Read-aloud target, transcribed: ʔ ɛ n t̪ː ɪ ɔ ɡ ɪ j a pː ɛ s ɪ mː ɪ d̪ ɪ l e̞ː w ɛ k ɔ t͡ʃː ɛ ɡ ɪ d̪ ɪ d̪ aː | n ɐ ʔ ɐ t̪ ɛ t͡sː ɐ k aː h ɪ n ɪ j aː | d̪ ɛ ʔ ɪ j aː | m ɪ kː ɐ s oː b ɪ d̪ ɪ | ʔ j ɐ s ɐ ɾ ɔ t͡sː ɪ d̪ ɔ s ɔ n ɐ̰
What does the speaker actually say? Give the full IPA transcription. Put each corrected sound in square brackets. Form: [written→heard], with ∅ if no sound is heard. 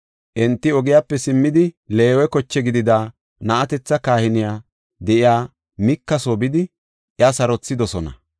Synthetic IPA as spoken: ʔ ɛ n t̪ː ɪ ɔ ɡ ɪ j a pː ɛ s ɪ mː ɪ d̪ ɪ l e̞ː w ɛ k ɔ t͡ʃː ɛ ɡ ɪ d̪ ɪ d̪ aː | n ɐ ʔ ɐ t̪ ɛ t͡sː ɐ k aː h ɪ n ɪ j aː | d̪ ɛ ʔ ɪ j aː | m ɪ kː ɐ s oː b ɪ d̪ ɪ | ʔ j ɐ s ɐ ɾ ɔ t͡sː ɪ d̪ ɔ s ɔ n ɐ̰

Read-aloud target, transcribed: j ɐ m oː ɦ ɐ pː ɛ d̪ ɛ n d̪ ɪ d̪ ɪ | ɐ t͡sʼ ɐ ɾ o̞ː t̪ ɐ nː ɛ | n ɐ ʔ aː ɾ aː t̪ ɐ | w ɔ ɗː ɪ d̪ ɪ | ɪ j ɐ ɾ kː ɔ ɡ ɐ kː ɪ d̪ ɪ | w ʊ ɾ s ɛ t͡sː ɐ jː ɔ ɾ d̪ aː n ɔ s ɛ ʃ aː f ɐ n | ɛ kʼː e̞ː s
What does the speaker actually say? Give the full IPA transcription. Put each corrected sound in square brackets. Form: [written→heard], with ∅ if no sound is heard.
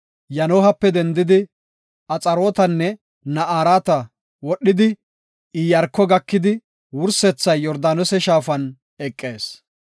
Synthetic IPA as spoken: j ɐ [m→n] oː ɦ ɐ pː ɛ d̪ ɛ n d̪ ɪ d̪ ɪ | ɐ t͡sʼ ɐ ɾ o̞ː t̪ ɐ nː ɛ | n ɐ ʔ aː ɾ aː t̪ ɐ | w ɔ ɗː ɪ d̪ ɪ | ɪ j ɐ ɾ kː ɔ ɡ ɐ kː ɪ d̪ ɪ | w ʊ ɾ s ɛ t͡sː ɐ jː ɔ ɾ d̪ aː n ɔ s ɛ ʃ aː f ɐ n | ɛ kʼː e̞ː s

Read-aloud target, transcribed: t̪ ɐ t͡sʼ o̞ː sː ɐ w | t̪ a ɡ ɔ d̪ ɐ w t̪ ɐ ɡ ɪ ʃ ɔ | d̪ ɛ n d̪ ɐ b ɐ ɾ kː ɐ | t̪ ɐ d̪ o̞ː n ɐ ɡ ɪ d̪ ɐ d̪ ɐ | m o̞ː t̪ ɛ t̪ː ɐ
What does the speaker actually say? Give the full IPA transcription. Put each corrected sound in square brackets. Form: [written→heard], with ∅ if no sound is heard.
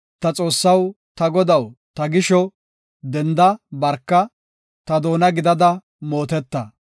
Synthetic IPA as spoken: t̪ ɐ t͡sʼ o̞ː sː ɐ w | t̪ [a→ɐ] ɡ ɔ d̪ ɐ w t̪ ɐ ɡ ɪ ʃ ɔ | d̪ ɛ n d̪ ɐ b ɐ ɾ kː ɐ | t̪ ɐ d̪ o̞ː n ɐ ɡ ɪ d̪ ɐ d̪ ɐ | m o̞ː t̪ ɛ t̪ː ɐ

